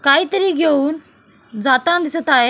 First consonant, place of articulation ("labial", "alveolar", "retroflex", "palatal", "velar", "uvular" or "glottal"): velar